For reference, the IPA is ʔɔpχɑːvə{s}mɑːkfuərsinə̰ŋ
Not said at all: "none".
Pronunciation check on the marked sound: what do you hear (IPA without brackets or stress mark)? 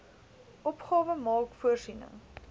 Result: none